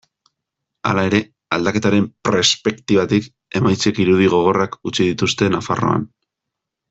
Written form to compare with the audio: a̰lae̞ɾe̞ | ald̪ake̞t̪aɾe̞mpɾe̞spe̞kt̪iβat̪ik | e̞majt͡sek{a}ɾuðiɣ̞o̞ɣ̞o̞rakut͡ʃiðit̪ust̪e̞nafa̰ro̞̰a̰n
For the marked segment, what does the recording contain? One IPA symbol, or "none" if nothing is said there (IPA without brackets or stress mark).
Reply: i